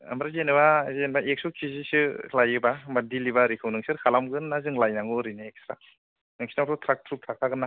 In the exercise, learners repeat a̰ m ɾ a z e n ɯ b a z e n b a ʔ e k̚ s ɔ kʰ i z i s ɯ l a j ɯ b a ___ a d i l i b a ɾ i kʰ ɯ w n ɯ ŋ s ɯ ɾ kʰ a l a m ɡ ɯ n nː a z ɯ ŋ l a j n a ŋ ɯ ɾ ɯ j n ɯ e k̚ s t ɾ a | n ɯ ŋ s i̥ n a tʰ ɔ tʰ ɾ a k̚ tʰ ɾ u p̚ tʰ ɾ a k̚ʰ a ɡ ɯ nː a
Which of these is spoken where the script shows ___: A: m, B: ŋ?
A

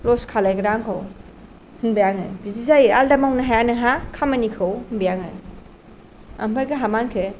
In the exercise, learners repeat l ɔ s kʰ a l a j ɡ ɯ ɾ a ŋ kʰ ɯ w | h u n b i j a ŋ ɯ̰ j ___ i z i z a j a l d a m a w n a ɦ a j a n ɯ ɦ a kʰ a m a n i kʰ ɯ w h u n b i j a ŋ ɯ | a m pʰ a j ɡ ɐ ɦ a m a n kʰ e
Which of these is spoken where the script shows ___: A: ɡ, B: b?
B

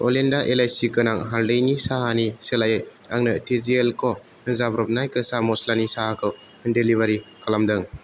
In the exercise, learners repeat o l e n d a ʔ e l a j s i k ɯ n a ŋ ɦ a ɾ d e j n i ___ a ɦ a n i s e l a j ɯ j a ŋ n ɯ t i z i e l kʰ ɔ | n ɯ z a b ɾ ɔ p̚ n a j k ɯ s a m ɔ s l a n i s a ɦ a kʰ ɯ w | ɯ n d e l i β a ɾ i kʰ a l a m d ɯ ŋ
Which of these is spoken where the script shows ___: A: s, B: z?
A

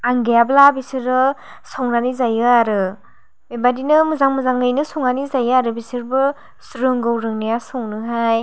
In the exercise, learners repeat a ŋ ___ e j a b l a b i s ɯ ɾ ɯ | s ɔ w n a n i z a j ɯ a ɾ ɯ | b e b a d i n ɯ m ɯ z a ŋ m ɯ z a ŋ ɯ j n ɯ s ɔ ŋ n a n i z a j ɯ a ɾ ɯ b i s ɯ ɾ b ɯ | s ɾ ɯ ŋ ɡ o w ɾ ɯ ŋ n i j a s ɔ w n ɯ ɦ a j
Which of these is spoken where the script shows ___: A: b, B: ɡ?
B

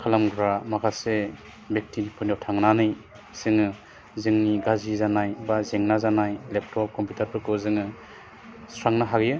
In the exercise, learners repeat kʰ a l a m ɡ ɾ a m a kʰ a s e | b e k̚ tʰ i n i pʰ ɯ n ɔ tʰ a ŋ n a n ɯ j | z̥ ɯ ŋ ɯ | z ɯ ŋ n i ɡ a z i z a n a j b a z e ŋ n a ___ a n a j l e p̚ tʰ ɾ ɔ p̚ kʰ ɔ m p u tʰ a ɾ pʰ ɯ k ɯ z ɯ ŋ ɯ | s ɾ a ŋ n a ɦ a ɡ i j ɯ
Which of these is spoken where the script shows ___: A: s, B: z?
B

